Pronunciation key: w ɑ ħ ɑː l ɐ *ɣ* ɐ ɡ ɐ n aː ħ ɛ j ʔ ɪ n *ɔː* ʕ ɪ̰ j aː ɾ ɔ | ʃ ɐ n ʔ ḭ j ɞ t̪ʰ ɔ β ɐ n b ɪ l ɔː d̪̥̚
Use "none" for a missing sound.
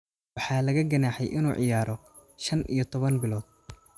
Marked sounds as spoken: ɣ, uː

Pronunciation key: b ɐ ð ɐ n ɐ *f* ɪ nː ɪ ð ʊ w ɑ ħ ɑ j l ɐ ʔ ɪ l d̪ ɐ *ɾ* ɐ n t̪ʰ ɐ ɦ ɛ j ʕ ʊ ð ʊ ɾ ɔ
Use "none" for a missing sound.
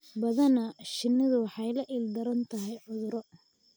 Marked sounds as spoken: ʃ, ɾ

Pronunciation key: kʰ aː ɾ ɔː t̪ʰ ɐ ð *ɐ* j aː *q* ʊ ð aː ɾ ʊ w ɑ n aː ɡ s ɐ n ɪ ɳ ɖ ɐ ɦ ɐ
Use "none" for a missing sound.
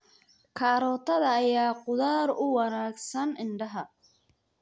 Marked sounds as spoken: ɐː, q

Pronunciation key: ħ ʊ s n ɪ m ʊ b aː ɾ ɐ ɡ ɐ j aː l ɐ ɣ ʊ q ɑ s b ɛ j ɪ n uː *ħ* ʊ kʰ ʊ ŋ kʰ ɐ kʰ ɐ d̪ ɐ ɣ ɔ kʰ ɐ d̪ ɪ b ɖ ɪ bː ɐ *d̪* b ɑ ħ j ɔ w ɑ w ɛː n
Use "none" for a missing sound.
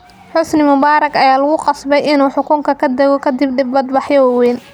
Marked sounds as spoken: ħ, d̪

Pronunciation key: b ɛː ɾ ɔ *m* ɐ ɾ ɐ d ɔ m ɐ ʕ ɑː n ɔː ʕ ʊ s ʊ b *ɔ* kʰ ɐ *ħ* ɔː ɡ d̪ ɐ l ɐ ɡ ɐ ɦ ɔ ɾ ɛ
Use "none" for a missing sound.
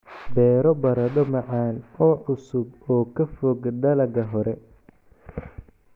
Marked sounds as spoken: b, ɔː, f

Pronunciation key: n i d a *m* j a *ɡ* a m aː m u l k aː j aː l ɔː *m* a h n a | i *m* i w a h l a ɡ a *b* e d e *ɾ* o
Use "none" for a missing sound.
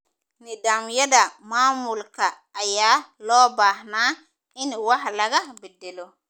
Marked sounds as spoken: m, d, b, n, b, l

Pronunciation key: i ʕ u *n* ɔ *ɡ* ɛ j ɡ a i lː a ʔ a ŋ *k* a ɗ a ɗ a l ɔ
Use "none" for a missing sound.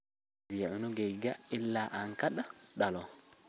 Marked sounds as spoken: n, ɡ, k

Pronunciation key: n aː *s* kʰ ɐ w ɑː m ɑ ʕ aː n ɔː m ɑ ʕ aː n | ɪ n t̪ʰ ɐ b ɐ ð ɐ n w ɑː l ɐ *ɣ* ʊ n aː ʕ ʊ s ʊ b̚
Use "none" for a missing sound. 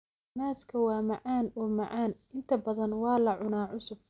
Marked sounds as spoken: s, ʕ

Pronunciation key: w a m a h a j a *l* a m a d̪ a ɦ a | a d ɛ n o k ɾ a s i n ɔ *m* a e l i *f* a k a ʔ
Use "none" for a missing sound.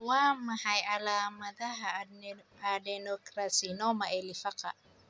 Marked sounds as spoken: l, m, f

